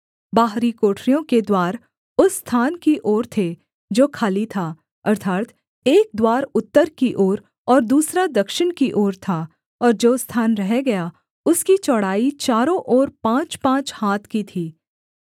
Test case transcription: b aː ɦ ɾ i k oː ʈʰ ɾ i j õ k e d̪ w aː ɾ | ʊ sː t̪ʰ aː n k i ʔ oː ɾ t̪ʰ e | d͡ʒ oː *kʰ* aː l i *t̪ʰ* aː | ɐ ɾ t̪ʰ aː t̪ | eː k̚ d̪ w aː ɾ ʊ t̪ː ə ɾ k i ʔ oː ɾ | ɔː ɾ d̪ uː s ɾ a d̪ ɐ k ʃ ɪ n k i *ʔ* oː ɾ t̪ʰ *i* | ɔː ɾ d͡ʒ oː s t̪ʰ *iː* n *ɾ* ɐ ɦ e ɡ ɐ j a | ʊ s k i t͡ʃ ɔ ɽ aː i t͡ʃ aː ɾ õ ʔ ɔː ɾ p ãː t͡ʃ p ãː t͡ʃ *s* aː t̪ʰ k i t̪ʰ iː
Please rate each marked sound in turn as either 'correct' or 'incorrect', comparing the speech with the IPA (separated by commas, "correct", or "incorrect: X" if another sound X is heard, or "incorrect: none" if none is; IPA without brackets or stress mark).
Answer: correct, correct, correct, incorrect: a, incorrect: aː, correct, incorrect: h